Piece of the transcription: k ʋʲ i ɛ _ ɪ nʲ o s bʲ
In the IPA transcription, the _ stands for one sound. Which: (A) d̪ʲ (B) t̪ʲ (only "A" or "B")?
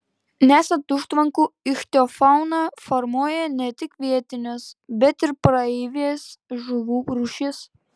B